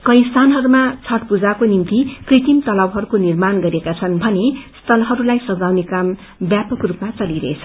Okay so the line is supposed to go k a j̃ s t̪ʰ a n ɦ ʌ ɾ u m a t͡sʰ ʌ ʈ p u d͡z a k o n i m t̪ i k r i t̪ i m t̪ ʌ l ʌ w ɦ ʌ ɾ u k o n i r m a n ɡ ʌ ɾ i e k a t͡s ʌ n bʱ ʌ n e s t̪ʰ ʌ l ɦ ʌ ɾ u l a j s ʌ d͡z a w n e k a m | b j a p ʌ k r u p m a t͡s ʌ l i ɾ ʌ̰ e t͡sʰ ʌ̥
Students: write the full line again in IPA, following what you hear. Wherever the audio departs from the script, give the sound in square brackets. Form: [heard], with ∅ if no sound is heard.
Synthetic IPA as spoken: k [ʌ] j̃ s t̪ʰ a n ɦ ʌ ɾ u m a t͡sʰ ʌ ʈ p u d͡z a k o n i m t̪ i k r i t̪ i m t̪ ʌ l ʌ w ɦ ʌ ɾ u k o n i r m a n ɡ ʌ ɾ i e k a [t͡sʰ] ʌ n bʱ ʌ n e s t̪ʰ ʌ l ɦ ʌ ɾ u l a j s ʌ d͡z a w n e k a m | b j a p ʌ k r u p m a t͡s ʌ l i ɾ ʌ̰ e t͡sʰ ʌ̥